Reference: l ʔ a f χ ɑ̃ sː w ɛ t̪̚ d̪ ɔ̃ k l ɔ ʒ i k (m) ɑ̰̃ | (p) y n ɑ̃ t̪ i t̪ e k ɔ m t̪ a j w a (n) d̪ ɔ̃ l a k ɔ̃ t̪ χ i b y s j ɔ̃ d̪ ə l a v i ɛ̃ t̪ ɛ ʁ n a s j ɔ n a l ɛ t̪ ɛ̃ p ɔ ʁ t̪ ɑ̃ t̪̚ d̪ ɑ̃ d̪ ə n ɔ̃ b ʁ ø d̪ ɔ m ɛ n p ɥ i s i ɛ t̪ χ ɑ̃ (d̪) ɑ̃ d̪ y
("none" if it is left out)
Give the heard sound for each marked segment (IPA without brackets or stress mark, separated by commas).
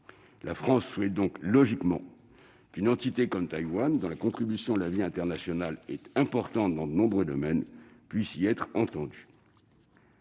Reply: m, k, n, t̪